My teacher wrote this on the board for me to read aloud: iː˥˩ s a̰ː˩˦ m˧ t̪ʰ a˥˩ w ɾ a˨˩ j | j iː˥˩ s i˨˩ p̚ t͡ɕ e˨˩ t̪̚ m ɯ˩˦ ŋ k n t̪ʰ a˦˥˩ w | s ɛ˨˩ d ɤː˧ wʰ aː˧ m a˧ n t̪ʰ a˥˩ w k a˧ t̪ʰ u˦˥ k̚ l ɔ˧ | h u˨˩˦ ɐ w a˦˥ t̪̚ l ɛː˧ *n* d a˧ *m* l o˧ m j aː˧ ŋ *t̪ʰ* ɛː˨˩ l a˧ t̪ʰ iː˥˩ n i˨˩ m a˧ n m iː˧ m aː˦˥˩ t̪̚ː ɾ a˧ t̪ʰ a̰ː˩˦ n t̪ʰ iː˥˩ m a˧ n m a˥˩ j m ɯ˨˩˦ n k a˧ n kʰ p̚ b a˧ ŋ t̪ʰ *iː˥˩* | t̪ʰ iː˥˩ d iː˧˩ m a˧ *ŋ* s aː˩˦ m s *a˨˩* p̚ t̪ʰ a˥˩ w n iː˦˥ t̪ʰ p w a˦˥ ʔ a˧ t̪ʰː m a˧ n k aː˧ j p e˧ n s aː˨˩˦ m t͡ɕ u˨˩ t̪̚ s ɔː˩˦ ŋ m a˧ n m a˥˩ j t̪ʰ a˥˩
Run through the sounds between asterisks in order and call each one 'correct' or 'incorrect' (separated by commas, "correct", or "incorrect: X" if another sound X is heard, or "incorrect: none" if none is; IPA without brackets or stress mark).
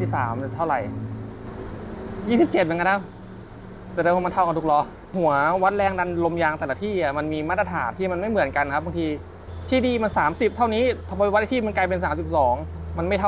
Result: incorrect: ŋ, incorrect: n, incorrect: t̪, incorrect: iː˧, incorrect: n, incorrect: i˨˩